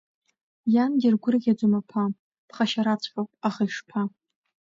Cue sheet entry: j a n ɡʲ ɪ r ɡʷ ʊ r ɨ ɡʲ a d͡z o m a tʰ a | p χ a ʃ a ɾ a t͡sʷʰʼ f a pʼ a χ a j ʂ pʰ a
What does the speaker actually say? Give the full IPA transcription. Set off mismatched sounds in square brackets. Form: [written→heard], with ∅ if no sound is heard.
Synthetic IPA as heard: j a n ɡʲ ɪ r ɡʷ ʊ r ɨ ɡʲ a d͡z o m a [tʰ→pʰ] a | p χ a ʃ a ɾ a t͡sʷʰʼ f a pʼ a χ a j ʂ pʰ a